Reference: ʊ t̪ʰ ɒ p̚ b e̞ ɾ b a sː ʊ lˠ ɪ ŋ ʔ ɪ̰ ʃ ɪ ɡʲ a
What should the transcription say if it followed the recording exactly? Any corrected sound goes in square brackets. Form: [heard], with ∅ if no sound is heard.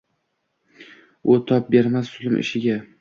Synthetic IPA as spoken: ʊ t̪ʰ ɒ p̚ b e̞ ɾ [m] a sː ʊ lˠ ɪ [m] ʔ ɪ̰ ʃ ɪ ɡʲ a